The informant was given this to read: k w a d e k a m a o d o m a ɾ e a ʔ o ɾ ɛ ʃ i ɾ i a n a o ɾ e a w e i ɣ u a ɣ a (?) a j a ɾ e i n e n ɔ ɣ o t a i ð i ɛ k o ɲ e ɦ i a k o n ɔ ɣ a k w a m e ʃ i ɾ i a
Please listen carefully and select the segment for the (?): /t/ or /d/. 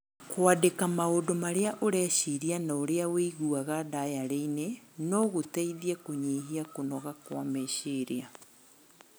d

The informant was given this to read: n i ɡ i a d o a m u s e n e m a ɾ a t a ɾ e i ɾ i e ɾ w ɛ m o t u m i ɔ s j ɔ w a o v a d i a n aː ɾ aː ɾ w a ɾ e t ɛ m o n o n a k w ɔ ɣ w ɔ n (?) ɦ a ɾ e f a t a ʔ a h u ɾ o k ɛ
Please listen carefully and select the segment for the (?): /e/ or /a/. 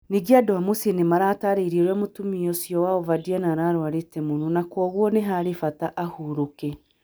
e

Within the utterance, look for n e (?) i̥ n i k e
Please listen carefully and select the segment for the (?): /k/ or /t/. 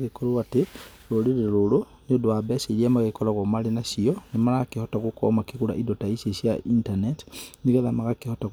t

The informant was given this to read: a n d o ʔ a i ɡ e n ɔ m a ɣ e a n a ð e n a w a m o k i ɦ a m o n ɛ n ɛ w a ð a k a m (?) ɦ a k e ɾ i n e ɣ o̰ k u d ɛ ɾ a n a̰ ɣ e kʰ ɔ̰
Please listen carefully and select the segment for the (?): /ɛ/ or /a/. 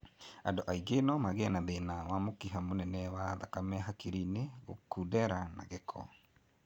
ɛ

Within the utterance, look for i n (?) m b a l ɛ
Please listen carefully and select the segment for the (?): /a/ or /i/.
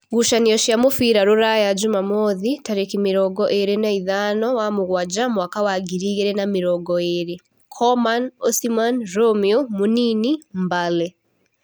i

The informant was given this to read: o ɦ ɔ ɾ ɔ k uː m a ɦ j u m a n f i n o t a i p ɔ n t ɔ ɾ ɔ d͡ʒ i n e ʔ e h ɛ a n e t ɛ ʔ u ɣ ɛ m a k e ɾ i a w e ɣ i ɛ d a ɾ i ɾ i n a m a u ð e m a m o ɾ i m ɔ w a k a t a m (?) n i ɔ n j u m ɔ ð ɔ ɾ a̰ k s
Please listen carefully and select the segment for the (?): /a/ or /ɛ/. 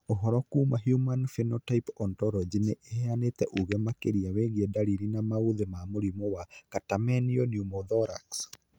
ɛ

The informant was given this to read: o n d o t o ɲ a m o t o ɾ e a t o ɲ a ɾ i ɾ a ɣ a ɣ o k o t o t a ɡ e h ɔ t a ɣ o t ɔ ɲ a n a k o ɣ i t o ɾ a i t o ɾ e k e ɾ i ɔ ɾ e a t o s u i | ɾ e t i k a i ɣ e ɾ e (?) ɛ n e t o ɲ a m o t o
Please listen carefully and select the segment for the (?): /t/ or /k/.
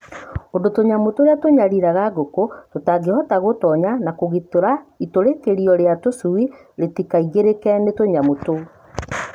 k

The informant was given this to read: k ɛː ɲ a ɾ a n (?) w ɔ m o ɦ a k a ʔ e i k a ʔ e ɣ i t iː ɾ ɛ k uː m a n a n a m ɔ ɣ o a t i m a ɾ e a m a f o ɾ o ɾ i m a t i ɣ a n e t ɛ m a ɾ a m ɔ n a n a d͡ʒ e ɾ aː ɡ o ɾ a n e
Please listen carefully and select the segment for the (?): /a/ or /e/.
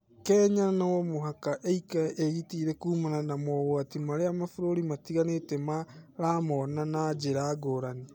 a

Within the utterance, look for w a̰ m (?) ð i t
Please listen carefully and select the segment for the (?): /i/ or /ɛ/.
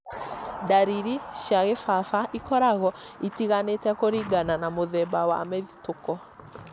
ɛ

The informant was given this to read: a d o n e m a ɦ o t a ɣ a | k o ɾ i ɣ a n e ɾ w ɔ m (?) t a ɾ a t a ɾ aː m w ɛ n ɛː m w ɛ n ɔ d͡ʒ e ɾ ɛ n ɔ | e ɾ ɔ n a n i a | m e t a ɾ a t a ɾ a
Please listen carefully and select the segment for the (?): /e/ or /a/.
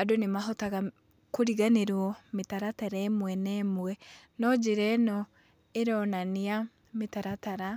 e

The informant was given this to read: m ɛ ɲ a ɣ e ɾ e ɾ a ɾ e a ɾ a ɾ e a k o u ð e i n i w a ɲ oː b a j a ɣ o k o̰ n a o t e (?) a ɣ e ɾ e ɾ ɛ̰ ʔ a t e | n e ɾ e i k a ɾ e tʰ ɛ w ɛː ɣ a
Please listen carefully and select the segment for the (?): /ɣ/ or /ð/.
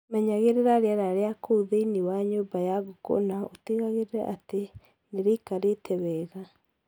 ɣ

